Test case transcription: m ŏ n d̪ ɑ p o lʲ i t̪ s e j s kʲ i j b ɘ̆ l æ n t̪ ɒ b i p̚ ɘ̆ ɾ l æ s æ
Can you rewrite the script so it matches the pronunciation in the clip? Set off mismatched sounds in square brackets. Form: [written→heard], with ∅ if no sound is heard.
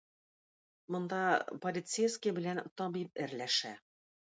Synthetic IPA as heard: m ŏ n d̪ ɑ p o lʲ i t̪ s e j s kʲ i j b ɘ̆ l æ n t̪ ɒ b i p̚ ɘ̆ ɾ l æ [s→ʃ] æ